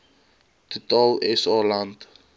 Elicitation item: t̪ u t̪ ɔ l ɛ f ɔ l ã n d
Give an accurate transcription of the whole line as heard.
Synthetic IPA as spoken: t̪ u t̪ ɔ l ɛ s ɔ l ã n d